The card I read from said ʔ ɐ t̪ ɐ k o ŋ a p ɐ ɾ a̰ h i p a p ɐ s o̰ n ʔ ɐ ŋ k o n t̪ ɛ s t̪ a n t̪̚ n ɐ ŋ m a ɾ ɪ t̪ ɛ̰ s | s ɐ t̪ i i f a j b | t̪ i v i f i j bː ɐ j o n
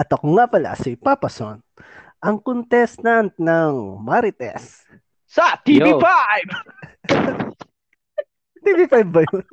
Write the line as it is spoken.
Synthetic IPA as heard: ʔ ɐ t̪ ɐ k o ŋ a p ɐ l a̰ s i p a p ɐ s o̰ n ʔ ɐ ŋ k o n t̪ ɛ s t̪ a n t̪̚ n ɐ ŋ m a ɾ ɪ t̪ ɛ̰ s | s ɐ t̪ i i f a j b | t̪ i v i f a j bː ɐ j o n